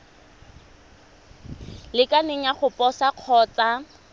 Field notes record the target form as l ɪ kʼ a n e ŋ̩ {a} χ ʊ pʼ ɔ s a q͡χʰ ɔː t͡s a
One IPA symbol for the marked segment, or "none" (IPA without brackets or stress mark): a